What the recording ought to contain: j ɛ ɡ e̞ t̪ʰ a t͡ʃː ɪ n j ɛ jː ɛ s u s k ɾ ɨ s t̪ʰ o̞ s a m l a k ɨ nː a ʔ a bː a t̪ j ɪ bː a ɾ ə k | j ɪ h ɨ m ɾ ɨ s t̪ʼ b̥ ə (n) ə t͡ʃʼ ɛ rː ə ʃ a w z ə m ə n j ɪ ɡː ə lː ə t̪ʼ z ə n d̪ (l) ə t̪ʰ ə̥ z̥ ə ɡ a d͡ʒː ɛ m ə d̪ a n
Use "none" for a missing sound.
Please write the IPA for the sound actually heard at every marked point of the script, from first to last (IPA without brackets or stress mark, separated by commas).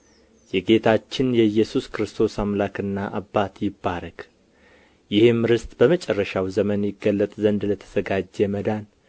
m, l